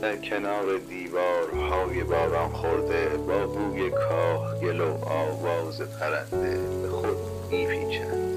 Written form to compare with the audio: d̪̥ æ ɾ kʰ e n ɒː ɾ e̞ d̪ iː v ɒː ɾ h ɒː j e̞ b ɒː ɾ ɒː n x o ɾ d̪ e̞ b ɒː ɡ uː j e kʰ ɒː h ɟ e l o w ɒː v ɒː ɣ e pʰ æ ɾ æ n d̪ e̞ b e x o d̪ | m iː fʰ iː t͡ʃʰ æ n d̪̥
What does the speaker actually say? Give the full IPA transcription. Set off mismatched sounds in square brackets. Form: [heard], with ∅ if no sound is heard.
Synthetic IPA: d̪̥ æ ɾ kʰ e n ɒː ɾ e̞ d̪ iː v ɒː ɾ h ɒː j e̞ b ɒː ɾ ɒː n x o ɾ d̪ e̞ b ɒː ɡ uː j e kʰ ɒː h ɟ e l o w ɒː v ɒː [z] e pʰ æ ɾ æ n d̪ e̞ b e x o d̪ | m iː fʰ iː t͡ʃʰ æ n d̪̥